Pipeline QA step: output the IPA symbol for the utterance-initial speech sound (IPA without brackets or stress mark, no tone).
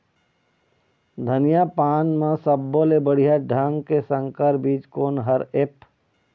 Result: d̪ʱ